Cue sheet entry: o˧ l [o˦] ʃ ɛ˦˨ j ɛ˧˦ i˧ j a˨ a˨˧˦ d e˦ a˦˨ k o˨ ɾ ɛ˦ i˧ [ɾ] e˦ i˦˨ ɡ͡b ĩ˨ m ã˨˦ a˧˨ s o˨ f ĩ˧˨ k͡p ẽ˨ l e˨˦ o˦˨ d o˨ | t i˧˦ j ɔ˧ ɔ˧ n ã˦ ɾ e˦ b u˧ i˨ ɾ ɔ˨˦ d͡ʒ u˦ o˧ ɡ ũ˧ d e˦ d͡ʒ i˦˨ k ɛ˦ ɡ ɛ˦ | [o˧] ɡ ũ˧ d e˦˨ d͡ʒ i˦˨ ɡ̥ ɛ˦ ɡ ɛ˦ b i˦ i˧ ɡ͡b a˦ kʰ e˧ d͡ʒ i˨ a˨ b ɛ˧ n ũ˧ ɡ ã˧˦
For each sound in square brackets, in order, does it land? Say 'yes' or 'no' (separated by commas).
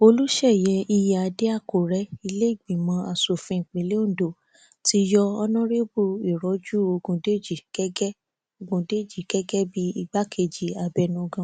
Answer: no, no, yes